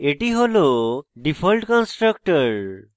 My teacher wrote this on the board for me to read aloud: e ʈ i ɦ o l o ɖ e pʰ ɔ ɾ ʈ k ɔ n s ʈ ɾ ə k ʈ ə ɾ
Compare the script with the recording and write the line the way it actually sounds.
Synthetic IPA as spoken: e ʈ i ɦ o l o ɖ i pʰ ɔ l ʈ k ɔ n s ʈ ɾ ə k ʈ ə ɾ